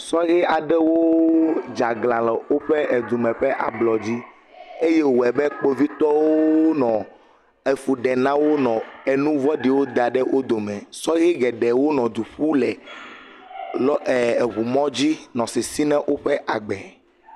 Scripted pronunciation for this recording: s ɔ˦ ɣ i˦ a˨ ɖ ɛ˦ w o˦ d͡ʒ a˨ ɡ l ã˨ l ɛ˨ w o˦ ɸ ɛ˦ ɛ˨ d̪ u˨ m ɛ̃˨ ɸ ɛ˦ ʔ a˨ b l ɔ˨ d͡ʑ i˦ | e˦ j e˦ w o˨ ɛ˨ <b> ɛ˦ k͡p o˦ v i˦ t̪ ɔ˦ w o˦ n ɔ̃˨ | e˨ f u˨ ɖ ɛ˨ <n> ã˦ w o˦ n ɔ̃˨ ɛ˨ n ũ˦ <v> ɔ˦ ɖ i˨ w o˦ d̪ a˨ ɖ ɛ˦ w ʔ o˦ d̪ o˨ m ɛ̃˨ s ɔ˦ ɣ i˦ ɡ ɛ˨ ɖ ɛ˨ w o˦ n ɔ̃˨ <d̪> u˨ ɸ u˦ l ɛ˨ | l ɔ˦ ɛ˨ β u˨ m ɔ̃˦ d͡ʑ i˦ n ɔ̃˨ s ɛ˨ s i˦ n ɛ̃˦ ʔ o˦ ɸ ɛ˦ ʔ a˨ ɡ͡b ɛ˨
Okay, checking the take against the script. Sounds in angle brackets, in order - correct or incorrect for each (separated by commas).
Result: correct, correct, correct, correct